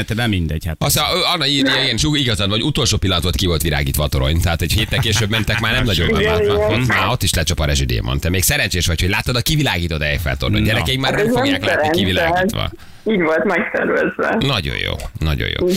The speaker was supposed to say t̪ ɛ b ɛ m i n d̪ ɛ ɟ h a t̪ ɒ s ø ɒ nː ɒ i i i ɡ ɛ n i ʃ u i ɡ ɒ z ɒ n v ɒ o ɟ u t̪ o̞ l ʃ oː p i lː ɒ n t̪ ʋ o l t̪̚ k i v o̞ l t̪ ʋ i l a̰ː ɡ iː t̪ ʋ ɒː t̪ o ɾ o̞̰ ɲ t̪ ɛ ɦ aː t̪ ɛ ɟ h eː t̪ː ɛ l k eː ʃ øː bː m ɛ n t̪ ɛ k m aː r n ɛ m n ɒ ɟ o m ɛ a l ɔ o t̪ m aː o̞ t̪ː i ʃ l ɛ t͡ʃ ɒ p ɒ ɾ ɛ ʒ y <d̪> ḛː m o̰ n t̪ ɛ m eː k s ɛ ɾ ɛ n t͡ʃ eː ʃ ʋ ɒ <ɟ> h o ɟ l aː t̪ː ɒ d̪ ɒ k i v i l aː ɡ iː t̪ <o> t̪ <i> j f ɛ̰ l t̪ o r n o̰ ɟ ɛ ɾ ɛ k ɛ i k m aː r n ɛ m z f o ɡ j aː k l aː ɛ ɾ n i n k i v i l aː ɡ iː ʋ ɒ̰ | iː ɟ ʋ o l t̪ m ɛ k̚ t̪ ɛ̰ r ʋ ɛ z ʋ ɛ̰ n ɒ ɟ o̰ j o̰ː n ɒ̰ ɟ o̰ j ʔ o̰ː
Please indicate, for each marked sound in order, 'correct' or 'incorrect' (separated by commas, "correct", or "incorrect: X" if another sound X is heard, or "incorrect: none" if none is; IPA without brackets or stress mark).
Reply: correct, incorrect: c, correct, incorrect: ɛ